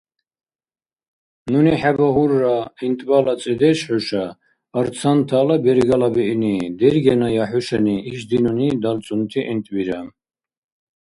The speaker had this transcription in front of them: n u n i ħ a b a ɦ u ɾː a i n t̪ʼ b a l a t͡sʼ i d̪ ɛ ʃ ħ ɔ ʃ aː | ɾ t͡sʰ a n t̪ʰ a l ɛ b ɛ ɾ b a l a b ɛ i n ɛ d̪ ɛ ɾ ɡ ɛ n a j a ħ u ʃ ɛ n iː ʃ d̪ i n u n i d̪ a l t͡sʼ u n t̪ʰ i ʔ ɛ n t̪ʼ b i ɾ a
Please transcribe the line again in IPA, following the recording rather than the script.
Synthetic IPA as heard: n u n i ħ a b a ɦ u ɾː a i n t̪ʼ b a l a t͡sʼ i d̪ ɛ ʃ ħ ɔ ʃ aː | ɾ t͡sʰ a n t̪ʰ a l a b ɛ ɾ ɡ a l a b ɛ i n i d̪ ɛ ɾ ɡ ɛ n a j a ħ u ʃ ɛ n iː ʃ d̪ i n u n i d̪ a l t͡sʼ u n t̪ʰ i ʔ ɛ n t̪ʼ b i ɾ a